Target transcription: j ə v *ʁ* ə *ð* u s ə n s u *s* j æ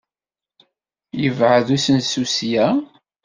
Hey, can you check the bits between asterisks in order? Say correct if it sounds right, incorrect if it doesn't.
incorrect, correct, correct

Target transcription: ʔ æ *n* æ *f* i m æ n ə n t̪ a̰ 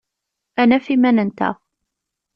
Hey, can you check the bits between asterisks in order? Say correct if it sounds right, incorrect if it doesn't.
correct, correct

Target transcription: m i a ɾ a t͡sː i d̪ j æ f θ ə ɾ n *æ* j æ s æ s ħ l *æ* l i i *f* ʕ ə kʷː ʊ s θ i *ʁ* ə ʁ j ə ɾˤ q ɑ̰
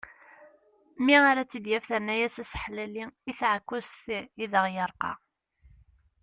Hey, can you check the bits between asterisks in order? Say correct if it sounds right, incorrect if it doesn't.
correct, correct, incorrect, incorrect

